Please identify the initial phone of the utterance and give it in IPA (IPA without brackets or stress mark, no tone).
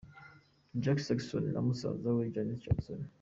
d͡ʒ